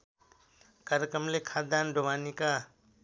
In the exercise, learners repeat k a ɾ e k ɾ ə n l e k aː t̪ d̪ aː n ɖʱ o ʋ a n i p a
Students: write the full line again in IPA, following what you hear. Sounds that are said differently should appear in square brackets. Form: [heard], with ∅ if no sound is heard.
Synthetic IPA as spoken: k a ɾ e k ɾ ə [m] l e [kʰ] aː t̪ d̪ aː n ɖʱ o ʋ a n i [k] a